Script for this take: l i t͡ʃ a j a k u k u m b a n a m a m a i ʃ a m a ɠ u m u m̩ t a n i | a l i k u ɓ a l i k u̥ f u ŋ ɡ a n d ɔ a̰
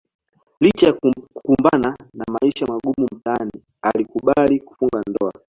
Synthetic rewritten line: l i t͡ʃ a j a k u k u m b a n a n a m a i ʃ a m a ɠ u m u m̩ t a n i | a l i k u ɓ a l i k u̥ f u ŋ ɡ a n d ɔ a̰